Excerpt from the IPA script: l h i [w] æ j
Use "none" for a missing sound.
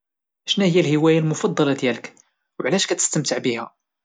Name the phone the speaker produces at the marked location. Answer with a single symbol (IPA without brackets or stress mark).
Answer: w